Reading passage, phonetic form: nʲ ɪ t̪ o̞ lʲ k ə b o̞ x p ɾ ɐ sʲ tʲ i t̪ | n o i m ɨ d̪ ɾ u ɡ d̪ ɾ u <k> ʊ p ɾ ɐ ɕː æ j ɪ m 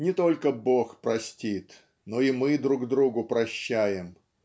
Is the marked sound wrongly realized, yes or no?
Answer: yes